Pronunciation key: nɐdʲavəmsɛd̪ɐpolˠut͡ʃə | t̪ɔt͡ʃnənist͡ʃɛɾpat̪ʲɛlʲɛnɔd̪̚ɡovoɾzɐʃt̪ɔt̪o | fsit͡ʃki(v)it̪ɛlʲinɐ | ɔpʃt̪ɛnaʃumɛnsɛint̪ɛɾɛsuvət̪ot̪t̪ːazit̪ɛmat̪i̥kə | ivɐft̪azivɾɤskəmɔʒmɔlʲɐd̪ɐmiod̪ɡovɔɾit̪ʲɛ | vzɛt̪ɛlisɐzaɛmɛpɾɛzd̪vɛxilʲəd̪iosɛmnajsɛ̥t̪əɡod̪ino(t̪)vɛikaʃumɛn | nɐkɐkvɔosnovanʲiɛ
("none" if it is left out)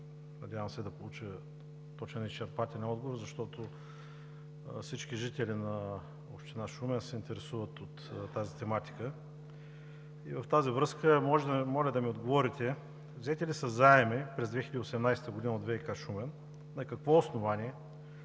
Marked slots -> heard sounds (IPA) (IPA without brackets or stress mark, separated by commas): ʒ, d̪